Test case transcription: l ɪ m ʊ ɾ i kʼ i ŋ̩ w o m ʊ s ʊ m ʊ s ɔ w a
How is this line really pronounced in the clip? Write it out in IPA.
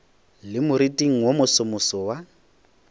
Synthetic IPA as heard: l ɪ m ʊ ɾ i tʼ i ŋ̩ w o m ʊ s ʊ m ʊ s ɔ w a